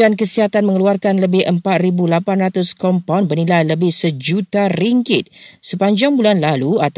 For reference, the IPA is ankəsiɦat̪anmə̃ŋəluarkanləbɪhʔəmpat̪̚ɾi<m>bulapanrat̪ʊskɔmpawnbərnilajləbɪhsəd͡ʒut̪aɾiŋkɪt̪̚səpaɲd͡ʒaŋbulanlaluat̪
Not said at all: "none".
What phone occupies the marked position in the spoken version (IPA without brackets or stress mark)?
none